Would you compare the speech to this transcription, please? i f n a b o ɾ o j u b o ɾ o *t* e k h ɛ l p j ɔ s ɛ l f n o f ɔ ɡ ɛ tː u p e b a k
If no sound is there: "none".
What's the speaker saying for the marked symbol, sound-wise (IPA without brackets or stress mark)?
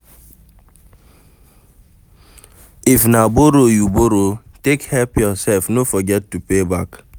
t